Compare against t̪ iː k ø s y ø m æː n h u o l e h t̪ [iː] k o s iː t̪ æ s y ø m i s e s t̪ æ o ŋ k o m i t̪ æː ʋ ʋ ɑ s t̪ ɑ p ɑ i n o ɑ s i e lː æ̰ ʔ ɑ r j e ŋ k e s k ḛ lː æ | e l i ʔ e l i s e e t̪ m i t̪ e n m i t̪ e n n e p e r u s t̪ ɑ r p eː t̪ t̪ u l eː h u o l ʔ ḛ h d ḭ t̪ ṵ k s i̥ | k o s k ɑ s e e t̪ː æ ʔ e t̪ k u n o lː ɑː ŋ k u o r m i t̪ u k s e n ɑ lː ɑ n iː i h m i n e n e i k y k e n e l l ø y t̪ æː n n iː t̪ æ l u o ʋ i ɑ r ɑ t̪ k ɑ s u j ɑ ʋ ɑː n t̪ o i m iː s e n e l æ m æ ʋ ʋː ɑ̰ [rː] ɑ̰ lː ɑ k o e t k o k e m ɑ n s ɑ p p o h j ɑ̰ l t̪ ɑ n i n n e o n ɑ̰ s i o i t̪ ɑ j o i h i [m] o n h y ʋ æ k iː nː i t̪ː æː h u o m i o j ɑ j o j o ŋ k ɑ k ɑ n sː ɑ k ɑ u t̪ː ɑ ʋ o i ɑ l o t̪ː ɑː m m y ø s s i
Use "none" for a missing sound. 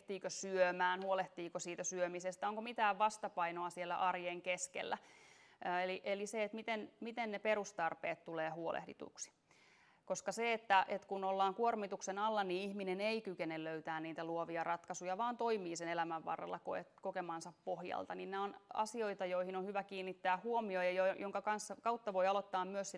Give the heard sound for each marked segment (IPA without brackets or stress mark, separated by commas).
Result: iː, rː, n